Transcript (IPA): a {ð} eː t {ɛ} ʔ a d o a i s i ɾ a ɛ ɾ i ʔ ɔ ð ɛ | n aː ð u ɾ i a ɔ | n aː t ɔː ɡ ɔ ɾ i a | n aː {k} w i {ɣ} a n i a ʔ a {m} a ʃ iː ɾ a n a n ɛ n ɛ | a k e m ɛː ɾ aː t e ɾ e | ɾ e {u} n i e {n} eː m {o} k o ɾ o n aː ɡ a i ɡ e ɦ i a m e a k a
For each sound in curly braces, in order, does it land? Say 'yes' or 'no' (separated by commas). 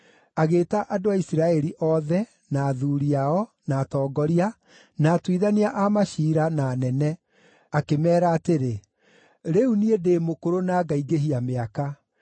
no, no, no, no, yes, yes, no, yes